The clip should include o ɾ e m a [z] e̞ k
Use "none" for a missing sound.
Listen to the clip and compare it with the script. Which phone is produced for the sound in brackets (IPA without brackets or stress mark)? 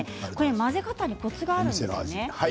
z